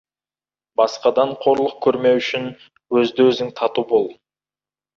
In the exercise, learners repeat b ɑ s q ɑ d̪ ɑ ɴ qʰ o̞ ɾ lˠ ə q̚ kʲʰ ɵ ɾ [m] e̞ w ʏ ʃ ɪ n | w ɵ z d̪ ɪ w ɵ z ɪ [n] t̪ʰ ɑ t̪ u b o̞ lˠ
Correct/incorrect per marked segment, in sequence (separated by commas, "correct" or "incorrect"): correct, incorrect